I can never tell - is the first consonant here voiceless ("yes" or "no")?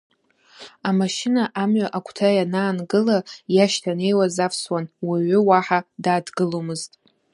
no